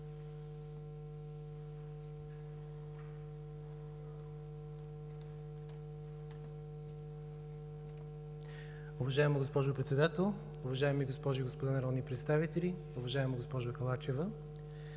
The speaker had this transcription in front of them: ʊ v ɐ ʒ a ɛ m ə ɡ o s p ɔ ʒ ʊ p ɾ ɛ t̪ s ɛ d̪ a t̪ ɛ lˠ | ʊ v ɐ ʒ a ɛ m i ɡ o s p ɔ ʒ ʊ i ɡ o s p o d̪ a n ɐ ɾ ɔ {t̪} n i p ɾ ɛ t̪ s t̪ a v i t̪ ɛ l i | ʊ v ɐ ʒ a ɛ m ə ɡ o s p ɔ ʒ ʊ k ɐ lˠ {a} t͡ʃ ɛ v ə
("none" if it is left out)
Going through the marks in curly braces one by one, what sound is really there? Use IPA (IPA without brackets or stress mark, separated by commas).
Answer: d̪, a